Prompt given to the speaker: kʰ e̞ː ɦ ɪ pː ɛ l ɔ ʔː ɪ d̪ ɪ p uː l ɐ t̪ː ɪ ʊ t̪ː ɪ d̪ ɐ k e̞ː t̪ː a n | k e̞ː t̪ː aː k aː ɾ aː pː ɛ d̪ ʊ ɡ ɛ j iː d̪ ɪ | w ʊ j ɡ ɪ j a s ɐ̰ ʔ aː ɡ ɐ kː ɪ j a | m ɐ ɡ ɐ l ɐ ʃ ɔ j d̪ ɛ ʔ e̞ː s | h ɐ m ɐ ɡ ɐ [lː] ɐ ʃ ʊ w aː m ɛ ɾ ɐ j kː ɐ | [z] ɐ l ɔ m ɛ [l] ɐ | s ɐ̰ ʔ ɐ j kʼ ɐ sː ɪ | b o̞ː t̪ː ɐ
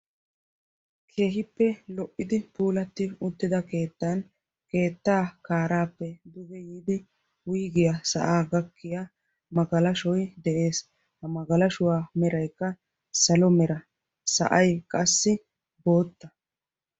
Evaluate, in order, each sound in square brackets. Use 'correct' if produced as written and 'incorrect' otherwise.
incorrect, incorrect, incorrect

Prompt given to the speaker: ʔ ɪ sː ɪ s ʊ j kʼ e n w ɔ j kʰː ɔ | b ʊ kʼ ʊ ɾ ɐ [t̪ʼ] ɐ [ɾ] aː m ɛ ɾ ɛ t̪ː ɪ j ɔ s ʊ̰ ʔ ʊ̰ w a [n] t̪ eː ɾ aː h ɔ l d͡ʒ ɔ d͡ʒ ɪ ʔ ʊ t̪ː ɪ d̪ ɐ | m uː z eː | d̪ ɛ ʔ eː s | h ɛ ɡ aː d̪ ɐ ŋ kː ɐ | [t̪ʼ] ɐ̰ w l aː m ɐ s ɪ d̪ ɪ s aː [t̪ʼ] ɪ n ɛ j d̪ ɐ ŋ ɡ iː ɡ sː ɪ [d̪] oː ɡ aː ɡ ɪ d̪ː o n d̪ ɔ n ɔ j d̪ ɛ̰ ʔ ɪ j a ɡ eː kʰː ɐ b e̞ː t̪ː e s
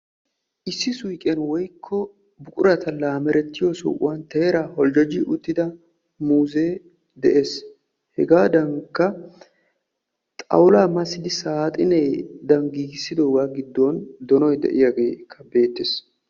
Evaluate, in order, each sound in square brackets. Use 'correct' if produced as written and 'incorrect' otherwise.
incorrect, incorrect, correct, correct, correct, correct

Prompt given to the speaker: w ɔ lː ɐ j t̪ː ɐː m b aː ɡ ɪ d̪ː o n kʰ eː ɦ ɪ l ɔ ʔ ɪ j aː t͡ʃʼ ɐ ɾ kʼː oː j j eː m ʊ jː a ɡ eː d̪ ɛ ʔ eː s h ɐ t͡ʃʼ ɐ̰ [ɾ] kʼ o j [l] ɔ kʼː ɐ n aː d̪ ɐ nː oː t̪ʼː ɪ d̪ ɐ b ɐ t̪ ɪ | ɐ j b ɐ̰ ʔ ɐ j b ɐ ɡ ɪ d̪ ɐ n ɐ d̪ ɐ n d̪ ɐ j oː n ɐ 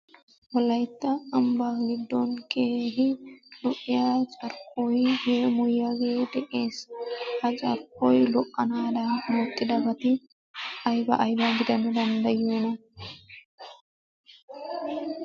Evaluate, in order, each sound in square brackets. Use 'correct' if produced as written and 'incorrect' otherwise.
correct, correct

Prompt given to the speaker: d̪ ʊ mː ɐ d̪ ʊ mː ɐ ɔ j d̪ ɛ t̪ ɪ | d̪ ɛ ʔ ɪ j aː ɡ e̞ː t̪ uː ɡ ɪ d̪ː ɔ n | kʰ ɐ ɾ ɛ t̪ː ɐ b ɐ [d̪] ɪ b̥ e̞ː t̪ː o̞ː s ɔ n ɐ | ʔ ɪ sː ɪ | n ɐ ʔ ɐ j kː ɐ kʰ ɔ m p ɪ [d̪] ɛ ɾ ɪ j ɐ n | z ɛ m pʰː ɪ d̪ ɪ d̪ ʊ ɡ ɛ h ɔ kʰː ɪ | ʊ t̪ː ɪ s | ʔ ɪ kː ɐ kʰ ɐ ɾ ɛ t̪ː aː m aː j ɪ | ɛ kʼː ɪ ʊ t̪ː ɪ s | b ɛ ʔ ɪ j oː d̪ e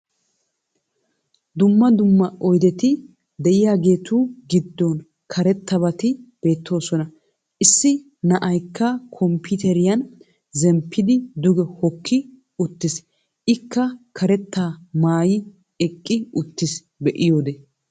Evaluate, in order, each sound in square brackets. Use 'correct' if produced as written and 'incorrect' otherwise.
incorrect, incorrect

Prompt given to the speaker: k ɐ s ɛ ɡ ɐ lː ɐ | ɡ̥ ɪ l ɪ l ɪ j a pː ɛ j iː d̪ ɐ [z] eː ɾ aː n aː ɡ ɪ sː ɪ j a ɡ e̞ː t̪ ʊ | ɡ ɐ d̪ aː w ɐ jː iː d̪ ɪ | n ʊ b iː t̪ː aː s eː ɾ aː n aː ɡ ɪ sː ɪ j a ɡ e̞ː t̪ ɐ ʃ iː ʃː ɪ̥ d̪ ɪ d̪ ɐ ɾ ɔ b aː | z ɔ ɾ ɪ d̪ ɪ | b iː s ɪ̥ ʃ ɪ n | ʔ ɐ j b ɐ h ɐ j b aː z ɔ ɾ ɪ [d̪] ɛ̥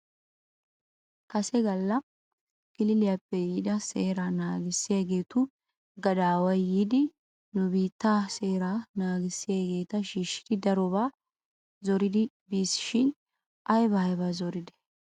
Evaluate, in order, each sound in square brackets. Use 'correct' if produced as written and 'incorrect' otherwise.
incorrect, correct

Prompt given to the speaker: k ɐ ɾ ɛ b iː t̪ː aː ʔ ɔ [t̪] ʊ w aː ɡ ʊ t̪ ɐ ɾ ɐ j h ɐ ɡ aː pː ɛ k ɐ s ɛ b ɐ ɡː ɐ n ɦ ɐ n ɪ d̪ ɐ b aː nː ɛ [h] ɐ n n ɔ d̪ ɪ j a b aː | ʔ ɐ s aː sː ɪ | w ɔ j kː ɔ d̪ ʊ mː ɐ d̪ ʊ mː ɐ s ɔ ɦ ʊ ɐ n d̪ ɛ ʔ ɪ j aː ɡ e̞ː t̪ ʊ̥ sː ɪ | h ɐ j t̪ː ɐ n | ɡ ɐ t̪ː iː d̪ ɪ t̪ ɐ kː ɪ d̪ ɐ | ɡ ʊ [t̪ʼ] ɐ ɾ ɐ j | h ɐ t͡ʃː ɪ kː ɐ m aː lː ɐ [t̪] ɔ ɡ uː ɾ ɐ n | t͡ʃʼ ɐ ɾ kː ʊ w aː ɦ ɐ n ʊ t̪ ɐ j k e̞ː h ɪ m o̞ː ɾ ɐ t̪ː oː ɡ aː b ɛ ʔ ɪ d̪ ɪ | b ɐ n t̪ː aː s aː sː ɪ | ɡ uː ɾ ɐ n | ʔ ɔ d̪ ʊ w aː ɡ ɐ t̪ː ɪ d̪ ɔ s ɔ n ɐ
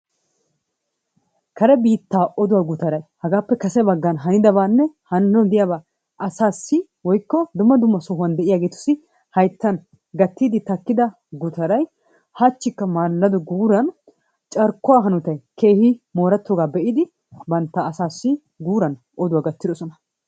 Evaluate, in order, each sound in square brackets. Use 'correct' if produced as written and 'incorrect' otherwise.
incorrect, correct, incorrect, incorrect

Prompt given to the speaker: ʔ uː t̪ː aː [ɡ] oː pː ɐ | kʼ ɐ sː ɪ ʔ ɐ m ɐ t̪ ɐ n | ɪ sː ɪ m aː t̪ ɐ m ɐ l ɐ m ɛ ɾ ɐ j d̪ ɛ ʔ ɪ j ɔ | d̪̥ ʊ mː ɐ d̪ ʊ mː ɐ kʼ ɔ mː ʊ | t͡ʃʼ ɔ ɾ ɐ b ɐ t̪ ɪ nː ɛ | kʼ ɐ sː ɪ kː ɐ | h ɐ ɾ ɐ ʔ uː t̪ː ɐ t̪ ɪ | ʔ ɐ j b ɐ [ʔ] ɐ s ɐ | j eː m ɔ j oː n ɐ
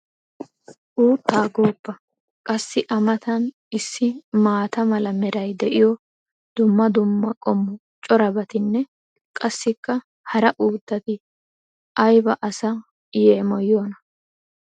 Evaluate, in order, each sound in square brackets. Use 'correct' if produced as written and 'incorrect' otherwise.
correct, correct

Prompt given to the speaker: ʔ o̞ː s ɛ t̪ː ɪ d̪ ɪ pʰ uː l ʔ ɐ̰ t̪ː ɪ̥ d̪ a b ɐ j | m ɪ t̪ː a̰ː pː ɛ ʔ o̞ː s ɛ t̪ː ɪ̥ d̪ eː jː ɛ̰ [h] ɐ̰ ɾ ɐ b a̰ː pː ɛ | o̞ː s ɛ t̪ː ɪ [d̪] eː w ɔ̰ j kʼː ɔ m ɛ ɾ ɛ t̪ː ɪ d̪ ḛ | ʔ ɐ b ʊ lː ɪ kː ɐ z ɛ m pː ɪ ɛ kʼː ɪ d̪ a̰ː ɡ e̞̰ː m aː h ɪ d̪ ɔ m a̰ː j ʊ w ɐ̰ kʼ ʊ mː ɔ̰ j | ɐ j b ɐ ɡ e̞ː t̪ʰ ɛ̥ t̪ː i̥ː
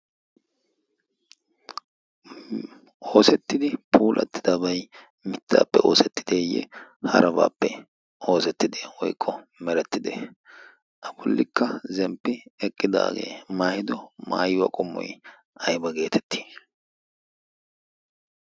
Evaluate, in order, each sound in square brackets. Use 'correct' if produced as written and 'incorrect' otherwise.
correct, correct

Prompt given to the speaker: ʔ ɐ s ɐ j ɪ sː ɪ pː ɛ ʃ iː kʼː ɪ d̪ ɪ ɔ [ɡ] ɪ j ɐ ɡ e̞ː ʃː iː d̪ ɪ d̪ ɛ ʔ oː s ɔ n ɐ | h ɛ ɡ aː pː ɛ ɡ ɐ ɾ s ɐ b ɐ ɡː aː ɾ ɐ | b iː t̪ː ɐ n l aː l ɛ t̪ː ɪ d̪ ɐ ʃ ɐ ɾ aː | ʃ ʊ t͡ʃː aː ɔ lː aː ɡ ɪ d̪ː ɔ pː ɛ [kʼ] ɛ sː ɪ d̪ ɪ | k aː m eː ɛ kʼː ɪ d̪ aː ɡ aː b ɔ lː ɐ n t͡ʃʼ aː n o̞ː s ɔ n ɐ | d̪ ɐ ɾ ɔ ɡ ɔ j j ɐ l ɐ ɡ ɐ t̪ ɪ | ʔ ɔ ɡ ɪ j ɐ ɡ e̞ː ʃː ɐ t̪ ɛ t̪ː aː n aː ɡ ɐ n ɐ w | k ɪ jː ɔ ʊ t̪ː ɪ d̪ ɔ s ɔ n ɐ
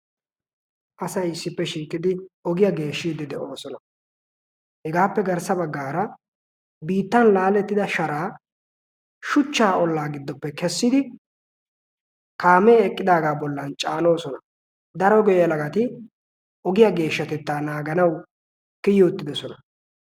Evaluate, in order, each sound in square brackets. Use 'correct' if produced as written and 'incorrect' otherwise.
correct, incorrect

